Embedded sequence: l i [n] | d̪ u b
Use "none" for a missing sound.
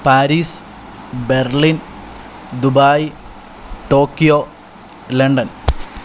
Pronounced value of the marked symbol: n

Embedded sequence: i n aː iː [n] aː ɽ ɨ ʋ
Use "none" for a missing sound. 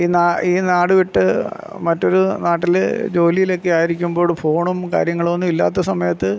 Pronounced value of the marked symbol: n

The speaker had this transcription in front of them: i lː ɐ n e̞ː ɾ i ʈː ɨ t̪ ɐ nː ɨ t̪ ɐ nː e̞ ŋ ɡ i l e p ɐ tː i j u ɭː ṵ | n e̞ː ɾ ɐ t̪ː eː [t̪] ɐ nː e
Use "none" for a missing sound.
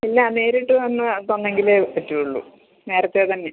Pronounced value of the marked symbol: t̪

